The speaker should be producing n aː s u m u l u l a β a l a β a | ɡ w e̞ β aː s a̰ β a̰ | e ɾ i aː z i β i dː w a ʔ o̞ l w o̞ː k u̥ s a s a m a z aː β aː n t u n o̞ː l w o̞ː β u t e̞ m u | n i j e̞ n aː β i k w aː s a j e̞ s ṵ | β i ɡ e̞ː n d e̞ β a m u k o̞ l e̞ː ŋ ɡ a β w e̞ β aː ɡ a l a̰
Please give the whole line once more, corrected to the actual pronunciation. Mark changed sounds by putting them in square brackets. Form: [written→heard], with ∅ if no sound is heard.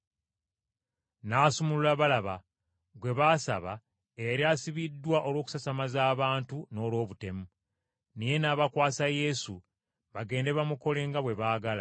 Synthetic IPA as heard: n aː s u m u l u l a β a l a β a | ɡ w e̞ β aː s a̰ β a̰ | e ɾ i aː [z→s] i β i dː w a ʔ o̞ l w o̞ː k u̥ s a s a m a z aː β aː n t u n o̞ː l w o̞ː β u t e̞ m u | n i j e̞ n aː β [i→a] k w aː s a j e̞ s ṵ | β [i→a] ɡ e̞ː n d e̞ β a m u k o̞ l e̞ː ŋ ɡ a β w e̞ β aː ɡ a l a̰